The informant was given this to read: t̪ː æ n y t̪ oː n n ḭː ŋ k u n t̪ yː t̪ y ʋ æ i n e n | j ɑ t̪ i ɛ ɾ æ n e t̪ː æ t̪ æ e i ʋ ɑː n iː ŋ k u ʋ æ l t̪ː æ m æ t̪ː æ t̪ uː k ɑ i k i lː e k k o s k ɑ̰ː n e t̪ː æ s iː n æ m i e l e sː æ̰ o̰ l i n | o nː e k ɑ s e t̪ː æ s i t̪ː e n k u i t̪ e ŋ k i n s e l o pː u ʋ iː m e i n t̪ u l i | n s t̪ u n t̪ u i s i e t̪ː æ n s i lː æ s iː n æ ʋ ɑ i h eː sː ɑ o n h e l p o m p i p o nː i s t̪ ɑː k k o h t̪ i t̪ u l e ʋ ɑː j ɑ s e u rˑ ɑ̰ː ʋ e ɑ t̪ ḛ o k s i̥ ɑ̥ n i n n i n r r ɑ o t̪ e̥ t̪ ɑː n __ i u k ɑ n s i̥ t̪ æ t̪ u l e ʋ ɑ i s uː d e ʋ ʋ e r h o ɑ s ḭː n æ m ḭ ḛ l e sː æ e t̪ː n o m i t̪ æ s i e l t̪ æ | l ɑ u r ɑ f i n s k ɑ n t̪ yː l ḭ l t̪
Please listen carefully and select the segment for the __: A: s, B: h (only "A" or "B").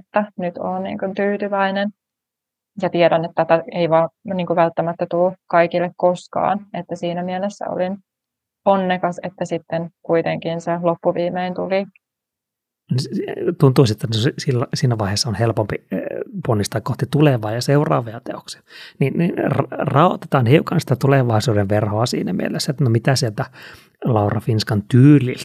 B